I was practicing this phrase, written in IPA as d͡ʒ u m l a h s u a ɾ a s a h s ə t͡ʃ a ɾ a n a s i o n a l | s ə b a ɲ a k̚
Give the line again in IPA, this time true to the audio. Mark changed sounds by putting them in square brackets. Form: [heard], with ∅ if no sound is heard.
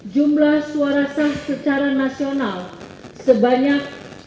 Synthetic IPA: d͡ʒ u m l a h s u a ɾ a s a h s ə t͡ʃ a ɾ a n a s i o n a l | s ə b a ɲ a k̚